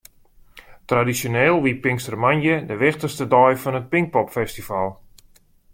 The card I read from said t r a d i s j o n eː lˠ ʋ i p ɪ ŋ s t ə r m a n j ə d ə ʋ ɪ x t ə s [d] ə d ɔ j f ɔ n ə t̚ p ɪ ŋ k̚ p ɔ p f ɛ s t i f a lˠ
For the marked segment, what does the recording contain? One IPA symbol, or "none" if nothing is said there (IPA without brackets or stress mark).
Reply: t